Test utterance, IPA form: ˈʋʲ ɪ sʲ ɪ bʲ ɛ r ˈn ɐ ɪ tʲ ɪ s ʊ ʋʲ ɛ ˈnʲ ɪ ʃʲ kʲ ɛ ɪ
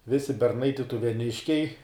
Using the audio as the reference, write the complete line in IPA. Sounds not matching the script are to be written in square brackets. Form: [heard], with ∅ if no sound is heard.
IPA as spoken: ˈʋʲ ɪ sʲ ɪ bʲ ɛ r ˈn ɐ ɪ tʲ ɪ [t] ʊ ʋʲ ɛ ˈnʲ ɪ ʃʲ kʲ ɛ ɪ